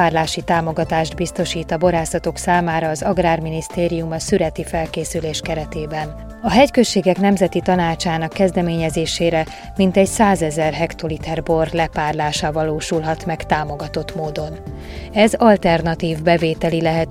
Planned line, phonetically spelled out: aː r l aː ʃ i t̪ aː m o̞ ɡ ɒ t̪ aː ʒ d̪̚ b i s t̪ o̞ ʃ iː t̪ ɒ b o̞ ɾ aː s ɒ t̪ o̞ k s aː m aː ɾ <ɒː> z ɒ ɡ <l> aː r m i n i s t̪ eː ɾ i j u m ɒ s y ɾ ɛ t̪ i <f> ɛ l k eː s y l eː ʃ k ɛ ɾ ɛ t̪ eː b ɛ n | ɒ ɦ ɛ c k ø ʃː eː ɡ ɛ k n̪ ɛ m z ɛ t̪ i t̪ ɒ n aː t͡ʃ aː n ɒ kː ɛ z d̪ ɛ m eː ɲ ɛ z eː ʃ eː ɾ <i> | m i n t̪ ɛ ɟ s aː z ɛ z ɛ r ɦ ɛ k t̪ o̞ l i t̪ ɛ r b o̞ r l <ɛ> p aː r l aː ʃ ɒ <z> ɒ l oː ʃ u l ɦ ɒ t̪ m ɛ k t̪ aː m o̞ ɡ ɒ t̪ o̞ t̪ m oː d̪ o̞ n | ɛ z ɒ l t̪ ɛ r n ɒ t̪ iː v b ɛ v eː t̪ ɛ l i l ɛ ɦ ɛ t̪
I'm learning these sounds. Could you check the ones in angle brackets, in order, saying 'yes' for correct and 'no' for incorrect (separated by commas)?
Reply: yes, no, yes, no, yes, no